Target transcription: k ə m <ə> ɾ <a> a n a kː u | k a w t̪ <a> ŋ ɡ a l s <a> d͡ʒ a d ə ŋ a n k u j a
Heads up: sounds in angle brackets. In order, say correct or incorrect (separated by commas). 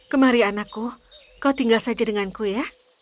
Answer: incorrect, incorrect, incorrect, correct